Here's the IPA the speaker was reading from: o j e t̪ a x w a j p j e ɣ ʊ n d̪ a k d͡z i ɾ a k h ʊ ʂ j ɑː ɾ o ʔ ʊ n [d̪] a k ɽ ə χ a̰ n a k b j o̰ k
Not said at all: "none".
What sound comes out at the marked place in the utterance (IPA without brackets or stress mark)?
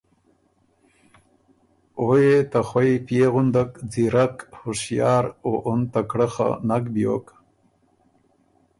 t̪